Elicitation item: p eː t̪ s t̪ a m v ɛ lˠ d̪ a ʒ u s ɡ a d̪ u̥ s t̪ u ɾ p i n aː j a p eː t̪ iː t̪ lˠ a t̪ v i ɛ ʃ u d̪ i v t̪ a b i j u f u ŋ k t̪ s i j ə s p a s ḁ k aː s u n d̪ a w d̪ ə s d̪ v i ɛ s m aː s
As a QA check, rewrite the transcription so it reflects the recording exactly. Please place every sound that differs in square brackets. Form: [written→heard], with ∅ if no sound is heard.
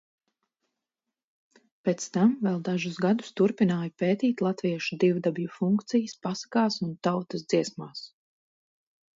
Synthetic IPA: p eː t̪ s t̪ a m v ɛ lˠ d̪ a ʒ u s ɡ a d̪ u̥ s t̪ u ɾ p i n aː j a p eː t̪ iː t̪ lˠ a t̪ v i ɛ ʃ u d̪ i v [t̪→d̪] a b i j u f u ŋ k t̪ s i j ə s p a s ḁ k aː s u n [d̪→t̪] a w [d̪→t̪] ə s d̪ [v→z] i ɛ s m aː s